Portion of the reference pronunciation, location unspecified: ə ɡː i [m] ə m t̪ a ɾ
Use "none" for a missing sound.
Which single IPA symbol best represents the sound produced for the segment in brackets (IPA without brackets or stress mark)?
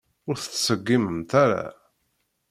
m